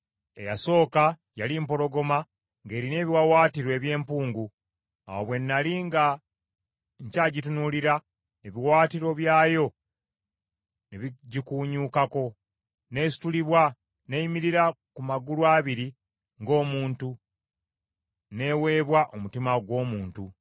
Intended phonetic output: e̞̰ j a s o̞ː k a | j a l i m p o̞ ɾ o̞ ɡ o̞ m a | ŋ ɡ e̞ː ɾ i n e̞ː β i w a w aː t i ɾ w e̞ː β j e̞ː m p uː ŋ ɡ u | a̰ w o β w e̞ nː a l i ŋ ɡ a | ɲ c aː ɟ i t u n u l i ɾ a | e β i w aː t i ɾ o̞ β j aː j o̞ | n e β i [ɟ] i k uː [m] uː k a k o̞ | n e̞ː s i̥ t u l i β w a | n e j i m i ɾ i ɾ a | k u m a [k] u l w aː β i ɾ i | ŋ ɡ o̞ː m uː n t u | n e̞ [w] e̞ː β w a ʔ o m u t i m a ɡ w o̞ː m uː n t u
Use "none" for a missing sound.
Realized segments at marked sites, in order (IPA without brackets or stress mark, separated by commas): ɟ, ɲ, ɡ, w